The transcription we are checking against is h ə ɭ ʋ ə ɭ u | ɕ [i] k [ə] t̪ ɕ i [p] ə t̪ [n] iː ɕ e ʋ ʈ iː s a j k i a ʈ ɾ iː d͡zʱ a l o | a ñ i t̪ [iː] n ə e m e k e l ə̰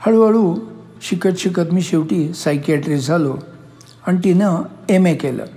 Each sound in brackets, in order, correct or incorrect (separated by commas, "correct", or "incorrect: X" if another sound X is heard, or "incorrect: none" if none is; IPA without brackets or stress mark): correct, correct, incorrect: k, incorrect: m, incorrect: i